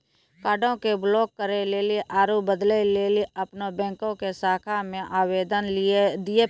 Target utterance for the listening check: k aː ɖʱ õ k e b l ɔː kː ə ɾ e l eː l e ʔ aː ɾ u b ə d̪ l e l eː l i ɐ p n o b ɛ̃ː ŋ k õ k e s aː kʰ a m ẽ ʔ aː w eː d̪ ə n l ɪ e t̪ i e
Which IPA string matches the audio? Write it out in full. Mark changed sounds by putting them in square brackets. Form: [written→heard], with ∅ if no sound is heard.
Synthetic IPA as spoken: k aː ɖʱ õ k e b l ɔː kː ə ɾ e l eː l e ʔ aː ɾ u b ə d̪ l e l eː l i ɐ p n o b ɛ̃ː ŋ k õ k e s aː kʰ a m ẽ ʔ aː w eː d̪ ə n l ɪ e [t̪→d̪] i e